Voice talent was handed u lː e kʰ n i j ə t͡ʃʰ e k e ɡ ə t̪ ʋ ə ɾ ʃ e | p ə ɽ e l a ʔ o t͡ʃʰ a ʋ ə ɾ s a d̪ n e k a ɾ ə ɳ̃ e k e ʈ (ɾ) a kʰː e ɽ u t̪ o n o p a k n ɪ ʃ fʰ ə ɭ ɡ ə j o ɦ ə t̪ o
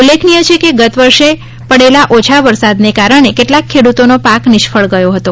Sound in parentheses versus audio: incorrect: l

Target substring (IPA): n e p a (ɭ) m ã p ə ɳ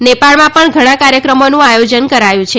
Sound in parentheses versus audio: correct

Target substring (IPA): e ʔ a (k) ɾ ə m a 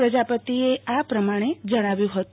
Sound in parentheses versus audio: incorrect: p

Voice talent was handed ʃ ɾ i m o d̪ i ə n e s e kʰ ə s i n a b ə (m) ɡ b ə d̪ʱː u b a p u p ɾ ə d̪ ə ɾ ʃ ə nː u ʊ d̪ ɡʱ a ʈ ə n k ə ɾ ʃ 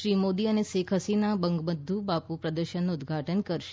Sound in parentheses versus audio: incorrect: ŋ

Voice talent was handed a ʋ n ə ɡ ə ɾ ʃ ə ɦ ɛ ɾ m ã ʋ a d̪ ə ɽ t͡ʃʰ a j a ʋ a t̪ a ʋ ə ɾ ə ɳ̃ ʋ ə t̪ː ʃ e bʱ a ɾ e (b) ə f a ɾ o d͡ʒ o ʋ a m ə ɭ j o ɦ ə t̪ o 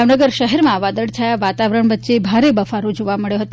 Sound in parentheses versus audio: correct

